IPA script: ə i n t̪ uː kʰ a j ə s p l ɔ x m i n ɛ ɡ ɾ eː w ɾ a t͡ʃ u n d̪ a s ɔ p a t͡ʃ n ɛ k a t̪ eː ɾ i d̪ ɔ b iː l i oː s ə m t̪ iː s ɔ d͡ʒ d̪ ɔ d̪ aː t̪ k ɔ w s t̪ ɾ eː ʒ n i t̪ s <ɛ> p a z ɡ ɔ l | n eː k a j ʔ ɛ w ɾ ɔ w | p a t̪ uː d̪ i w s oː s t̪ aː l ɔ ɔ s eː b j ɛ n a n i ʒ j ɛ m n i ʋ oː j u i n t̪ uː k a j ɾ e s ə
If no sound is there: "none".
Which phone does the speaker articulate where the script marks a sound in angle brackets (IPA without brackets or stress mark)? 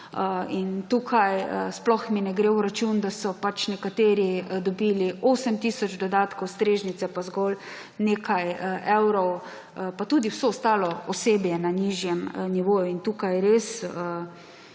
ɛ